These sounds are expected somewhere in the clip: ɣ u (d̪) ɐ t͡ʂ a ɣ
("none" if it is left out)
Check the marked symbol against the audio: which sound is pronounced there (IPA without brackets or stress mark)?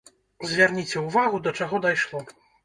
d̪